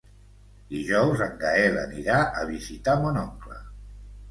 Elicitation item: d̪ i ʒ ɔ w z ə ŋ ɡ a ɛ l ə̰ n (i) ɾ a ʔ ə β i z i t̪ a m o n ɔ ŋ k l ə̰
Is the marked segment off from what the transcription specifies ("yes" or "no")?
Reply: no